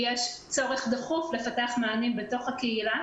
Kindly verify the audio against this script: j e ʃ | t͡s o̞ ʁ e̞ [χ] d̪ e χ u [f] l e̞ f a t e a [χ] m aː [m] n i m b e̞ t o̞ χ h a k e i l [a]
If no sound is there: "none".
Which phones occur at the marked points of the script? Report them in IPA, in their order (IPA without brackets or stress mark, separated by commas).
χ, f, χ, none, a